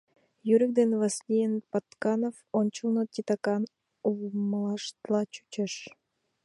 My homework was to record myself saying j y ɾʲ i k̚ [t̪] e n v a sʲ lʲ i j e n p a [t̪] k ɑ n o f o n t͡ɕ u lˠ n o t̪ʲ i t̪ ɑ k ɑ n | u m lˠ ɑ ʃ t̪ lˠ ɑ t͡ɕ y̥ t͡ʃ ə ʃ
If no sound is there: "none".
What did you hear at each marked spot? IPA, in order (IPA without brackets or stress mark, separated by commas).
d̪, t̪